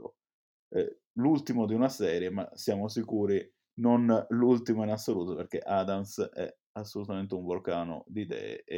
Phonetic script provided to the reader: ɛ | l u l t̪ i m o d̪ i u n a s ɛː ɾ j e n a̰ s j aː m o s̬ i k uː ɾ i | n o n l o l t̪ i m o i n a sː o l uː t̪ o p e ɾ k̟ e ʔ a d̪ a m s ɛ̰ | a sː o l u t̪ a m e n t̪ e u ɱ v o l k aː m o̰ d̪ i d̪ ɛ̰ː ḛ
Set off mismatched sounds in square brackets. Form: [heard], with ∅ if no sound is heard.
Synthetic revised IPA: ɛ | l u l t̪ i m o d̪ i u n a s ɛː ɾ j e [m] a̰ s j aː m o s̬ i k uː ɾ i | n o n l [u] l t̪ i m o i n a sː o l uː t̪ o p e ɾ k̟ e ʔ a d̪ a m s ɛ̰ | a sː o l u t̪ a m e n t̪ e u ɱ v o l k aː [n] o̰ d̪ i d̪ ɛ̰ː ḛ